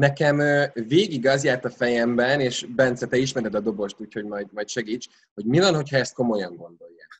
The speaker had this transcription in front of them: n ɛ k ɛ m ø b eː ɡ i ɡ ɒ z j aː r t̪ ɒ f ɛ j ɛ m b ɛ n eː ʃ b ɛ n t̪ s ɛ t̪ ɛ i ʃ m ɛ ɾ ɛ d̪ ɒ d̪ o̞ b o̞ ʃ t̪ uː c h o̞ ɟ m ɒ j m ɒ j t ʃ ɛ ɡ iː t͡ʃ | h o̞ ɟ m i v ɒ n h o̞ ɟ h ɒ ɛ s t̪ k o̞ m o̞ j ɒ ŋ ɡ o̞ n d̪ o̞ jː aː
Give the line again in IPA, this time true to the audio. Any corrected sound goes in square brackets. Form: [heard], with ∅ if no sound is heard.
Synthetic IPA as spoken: n ɛ k ɛ m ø [v] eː ɡ i ɡ ɒ z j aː r t̪ ɒ f ɛ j ɛ m b ɛ n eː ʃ b ɛ n t̪ s ɛ t̪ ɛ i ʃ m ɛ ɾ ɛ d̪ ɒ d̪ o̞ b o̞ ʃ t̪ uː c h o̞ ɟ m ɒ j m ɒ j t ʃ ɛ ɡ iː t͡ʃ | h o̞ ɟ m i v ɒ n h o̞ [c] h ɒ ɛ s t̪ k o̞ m o̞ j ɒ ŋ ɡ o̞ n d̪ o̞ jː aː